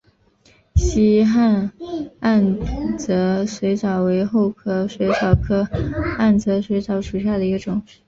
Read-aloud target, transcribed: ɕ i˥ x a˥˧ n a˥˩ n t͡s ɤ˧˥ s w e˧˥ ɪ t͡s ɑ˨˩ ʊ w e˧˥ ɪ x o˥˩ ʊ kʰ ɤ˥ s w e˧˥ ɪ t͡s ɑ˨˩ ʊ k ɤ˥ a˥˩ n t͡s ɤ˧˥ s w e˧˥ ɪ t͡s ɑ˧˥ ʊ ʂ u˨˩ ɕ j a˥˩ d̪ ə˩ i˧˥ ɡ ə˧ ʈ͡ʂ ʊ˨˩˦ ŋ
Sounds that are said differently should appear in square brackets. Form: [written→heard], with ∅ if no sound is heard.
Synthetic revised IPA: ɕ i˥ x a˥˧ n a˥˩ n t͡s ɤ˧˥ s w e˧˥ ɪ t͡s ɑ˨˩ ʊ w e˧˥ ɪ x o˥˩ ʊ kʰ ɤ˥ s w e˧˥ ɪ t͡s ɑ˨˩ ʊ [k→kʰ] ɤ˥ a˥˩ n t͡s ɤ˧˥ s w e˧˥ ɪ t͡s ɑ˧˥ ʊ ʂ u˨˩ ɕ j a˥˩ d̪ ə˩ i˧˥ ɡ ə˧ ʈ͡ʂ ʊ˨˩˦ ŋ